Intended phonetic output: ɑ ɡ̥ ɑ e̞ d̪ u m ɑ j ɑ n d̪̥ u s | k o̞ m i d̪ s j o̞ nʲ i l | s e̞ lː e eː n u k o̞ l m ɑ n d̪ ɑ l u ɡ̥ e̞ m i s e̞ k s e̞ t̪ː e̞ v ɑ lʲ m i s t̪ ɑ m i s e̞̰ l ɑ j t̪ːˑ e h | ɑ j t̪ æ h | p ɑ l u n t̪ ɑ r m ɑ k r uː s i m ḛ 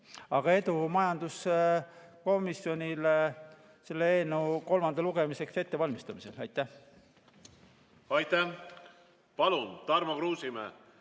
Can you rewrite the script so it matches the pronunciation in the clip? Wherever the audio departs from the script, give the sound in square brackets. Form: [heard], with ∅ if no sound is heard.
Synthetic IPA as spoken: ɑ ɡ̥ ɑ e̞ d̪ u m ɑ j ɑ n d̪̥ u s | k o̞ m i [∅] s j o̞ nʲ i l | s e̞ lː e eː n u k o̞ l m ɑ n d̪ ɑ l u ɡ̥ e̞ m i s e̞ k s e̞ t̪ː e̞ v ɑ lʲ m i s t̪ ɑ m i s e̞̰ l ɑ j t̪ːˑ [æ] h | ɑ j t̪ æ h | p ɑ l u n t̪ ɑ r m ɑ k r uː s i m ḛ